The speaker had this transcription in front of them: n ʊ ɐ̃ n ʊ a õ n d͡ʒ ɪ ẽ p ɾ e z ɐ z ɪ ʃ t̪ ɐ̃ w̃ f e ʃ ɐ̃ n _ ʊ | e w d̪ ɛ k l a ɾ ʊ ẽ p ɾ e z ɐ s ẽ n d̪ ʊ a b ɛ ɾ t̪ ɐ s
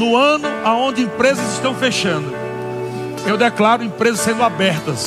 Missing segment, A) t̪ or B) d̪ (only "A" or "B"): B